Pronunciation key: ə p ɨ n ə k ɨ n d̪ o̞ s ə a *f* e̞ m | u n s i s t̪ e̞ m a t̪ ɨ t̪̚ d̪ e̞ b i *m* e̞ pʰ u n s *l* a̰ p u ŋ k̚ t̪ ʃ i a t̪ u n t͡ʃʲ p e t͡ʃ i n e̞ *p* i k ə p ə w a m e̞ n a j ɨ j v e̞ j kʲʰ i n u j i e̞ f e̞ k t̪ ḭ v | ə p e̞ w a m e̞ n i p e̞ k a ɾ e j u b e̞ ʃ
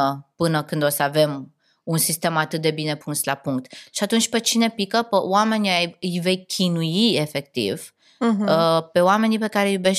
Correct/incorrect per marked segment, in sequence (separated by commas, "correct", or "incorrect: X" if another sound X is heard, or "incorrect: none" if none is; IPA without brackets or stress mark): incorrect: v, incorrect: n, correct, correct